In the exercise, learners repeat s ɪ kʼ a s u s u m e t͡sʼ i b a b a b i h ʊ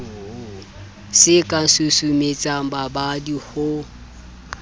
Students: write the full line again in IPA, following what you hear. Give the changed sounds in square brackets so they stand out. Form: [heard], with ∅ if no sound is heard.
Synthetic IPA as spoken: s ɪ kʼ a s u s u m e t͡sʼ [a] b a b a [d] i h ʊ